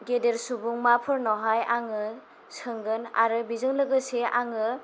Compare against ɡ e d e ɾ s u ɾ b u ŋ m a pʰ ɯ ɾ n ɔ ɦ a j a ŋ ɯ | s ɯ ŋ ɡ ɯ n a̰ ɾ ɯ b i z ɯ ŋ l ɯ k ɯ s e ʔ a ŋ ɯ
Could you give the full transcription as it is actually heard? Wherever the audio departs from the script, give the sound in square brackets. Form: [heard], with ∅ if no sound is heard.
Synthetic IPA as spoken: ɡ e d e ɾ s u [∅] b u ŋ m a pʰ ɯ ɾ n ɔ ɦ a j a ŋ ɯ | s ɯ ŋ ɡ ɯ n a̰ ɾ ɯ b i z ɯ ŋ l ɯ [ɡ] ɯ s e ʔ a ŋ ɯ